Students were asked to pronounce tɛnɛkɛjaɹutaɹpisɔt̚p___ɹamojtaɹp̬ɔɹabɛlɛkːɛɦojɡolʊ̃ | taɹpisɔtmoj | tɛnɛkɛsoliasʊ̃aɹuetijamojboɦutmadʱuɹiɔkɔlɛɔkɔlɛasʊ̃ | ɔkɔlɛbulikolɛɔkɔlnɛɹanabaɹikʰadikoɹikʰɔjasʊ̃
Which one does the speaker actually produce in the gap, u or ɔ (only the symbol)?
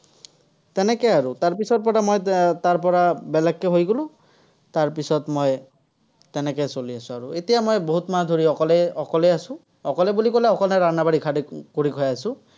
ɔ